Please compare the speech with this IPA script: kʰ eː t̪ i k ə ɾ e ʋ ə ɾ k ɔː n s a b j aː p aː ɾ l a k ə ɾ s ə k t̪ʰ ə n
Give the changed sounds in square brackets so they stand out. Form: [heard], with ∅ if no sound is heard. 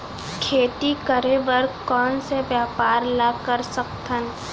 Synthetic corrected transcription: kʰ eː t̪ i k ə ɾ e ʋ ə ɾ k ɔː n s [e] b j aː p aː ɾ l a k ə ɾ s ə k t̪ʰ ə n